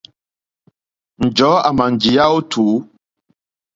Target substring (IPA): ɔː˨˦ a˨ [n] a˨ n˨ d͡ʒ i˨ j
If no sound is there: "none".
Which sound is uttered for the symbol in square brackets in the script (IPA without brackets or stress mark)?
m